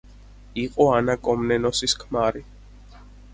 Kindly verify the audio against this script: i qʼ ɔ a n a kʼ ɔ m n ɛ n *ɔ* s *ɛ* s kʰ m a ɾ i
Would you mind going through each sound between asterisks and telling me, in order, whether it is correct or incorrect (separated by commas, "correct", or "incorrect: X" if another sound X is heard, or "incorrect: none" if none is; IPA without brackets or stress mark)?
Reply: correct, incorrect: i